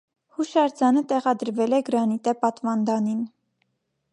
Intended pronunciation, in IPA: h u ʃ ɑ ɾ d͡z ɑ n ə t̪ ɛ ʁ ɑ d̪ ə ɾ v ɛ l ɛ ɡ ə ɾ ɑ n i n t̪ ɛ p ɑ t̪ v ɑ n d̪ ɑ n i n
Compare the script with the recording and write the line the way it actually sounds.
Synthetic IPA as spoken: h u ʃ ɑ ɾ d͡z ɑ n ə t̪ ɛ ʁ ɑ d̪ ə ɾ v ɛ l ɛ ɡ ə ɾ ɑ n i t̪ ɛ p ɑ t̪ v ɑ n d̪ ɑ n i n